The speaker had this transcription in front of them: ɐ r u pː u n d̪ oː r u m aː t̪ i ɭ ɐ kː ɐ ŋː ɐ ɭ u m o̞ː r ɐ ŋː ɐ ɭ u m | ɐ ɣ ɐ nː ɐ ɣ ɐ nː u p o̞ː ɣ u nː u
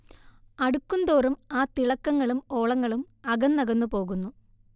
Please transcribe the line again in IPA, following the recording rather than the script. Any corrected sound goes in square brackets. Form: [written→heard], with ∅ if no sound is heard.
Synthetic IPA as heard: ɐ [r→ɽ] u [pː→kː] u n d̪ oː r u m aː t̪ i ɭ ɐ kː ɐ ŋː ɐ ɭ u m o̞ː [r→ɭ] ɐ ŋː ɐ ɭ u m | ɐ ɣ ɐ nː ɐ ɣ ɐ nː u p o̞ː ɣ u nː u